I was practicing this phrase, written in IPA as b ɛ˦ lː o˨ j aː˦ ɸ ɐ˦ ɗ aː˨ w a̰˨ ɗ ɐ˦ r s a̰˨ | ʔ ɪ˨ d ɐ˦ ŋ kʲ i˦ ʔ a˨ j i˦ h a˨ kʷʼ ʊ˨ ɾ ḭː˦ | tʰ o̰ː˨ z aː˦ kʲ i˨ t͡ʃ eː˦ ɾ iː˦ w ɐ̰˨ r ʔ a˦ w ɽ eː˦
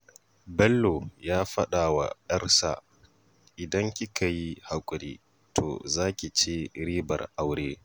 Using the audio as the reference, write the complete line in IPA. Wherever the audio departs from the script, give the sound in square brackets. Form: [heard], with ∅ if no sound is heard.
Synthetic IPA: b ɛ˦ lː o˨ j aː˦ ɸ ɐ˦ ɗ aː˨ w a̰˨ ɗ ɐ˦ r s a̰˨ | ʔ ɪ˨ d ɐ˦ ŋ kʲ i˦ [k] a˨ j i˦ h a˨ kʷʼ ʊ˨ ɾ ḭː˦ | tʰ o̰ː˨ z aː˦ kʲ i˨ t͡ʃ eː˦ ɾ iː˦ [b] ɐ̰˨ r ʔ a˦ w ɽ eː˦